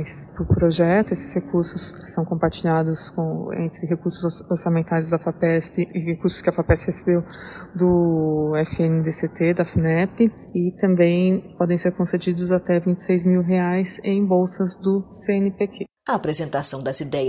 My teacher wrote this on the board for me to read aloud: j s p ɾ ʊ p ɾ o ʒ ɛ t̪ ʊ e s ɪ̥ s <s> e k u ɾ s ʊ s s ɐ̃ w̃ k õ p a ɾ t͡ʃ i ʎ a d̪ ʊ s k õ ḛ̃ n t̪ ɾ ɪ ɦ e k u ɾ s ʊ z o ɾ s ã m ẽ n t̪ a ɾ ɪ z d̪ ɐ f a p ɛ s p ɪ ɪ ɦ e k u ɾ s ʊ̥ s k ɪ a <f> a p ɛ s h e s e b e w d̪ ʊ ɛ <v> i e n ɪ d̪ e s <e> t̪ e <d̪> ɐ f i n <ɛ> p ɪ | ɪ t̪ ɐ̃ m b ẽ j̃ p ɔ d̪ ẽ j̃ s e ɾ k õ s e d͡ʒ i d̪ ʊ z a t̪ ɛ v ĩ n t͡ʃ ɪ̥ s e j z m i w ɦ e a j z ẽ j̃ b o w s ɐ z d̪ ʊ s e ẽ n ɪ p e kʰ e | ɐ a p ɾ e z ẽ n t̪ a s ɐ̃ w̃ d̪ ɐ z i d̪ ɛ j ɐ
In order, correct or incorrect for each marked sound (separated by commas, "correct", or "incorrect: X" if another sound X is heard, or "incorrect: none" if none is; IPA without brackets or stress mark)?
incorrect: h, correct, incorrect: f, correct, correct, correct